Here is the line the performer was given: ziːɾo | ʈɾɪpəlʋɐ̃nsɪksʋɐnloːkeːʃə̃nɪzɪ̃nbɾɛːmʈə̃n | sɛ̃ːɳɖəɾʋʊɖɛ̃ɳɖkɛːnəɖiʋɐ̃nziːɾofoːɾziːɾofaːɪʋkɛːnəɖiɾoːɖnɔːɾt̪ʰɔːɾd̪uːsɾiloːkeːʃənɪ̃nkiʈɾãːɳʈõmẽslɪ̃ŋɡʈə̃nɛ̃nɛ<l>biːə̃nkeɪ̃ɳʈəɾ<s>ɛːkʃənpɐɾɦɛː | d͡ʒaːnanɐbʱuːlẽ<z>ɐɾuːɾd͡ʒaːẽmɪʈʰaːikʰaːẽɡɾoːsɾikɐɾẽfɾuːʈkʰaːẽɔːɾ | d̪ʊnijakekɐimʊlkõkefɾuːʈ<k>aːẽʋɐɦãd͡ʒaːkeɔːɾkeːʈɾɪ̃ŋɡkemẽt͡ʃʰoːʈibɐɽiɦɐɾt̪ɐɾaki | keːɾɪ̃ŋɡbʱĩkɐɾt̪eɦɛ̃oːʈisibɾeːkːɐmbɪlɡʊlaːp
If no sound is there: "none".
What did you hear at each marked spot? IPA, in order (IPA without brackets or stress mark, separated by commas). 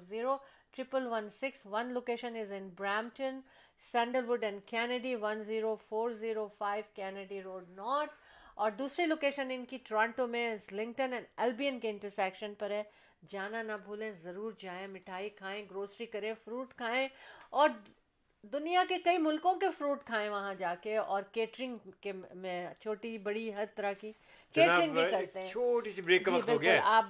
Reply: l, s, z, kʰ